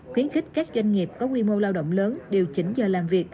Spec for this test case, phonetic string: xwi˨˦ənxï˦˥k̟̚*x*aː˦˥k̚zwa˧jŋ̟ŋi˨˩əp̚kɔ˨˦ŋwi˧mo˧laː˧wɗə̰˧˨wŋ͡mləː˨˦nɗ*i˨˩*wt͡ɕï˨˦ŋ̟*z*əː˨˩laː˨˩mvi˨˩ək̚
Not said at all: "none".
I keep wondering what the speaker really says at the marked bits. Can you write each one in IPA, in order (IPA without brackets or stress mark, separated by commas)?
k, e˨˩, z